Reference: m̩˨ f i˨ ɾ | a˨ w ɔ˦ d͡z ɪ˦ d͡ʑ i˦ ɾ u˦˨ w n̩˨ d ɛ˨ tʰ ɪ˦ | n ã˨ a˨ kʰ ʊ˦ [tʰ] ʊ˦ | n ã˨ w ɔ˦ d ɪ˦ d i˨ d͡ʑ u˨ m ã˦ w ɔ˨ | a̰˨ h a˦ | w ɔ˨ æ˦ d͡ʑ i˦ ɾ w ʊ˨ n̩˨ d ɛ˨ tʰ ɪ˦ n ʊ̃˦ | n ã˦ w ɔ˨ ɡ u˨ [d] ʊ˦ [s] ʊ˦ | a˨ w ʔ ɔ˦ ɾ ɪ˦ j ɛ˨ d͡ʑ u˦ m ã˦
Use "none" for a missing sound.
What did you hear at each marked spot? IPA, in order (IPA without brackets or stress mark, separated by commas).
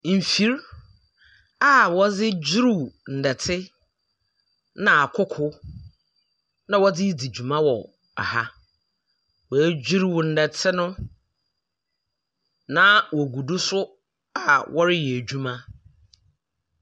kʰ, d, s